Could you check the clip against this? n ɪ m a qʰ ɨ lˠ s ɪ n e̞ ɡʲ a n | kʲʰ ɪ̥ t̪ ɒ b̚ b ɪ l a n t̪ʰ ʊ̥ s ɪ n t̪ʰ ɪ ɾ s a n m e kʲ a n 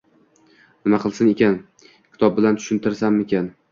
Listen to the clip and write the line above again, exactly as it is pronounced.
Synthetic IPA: n ɪ m a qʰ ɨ lˠ s ɪ n e̞ kʲ a n | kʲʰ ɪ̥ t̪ ɒ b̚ b ɪ l a n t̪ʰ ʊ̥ ʃ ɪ n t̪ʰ ɪ ɾ s a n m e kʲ a n